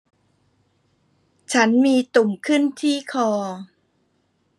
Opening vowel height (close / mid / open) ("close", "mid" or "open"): open